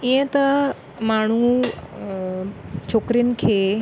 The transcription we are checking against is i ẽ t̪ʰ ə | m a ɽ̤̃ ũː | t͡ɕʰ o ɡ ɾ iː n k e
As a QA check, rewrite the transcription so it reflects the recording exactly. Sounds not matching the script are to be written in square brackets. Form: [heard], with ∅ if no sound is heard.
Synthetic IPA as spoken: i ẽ [t̪] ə | m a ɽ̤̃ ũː | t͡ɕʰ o [k] ɾ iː n [kʰ] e